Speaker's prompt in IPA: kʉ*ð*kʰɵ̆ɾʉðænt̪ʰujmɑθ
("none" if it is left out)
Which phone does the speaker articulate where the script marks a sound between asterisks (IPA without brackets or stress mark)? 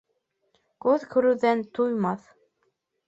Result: ð